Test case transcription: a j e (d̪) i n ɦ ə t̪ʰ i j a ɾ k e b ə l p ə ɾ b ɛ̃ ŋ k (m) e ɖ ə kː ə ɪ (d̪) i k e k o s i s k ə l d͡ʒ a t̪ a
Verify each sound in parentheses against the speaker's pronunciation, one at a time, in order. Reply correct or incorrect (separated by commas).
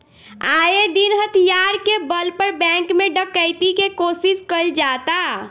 correct, correct, incorrect